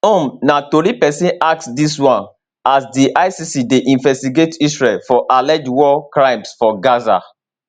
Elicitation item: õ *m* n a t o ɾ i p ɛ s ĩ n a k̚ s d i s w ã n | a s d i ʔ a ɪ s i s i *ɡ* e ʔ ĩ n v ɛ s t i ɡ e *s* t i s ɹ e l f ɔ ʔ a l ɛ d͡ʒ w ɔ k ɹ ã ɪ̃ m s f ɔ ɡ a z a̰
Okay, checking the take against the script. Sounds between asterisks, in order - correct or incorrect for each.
correct, incorrect: d, incorrect: none

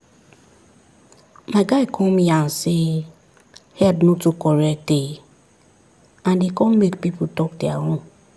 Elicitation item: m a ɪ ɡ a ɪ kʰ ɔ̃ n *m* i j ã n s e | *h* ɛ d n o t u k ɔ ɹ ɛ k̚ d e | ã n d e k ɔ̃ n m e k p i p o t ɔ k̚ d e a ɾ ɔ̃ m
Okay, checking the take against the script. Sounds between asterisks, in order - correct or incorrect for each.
correct, correct

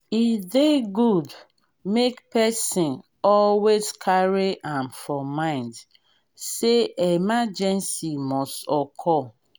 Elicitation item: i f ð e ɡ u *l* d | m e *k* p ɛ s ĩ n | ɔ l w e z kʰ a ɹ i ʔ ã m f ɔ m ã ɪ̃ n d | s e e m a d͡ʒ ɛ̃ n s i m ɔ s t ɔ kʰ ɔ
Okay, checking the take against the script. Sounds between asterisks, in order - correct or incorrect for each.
incorrect: none, correct

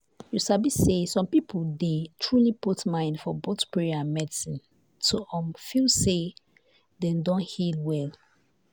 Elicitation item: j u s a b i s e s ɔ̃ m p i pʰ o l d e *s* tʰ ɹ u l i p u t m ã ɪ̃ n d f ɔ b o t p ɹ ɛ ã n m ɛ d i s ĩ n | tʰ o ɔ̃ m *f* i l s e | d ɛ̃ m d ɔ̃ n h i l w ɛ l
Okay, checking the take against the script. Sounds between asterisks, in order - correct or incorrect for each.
incorrect: none, correct

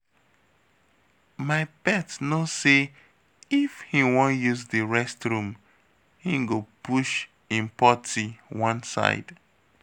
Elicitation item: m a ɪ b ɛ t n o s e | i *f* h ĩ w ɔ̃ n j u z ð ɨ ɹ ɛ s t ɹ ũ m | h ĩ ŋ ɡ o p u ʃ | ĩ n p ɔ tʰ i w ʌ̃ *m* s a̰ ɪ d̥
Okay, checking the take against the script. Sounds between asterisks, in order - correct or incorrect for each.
correct, incorrect: n

